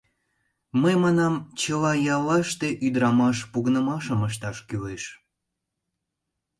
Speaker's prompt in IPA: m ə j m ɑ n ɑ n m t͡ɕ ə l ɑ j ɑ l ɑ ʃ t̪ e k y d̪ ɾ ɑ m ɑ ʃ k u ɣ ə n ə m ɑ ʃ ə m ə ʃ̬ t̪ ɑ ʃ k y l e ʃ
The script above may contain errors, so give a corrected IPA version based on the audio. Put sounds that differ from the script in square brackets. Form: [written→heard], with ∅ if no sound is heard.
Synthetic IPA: m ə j m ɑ n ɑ [n→∅] m t͡ɕ ə l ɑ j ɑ l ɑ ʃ t̪ e [k→ʔ] y d̪ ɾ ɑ m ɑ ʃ [k→p] u ɣ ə n ə m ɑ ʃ ə m ə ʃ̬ t̪ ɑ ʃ k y l e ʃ